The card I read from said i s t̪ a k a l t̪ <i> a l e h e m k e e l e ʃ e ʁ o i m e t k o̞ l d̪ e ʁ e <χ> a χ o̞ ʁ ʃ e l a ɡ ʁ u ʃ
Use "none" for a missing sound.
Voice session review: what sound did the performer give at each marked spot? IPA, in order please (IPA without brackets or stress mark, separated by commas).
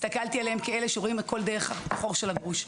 i, χ